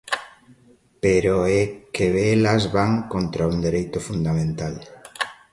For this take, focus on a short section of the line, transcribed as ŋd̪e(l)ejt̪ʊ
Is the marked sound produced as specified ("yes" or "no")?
no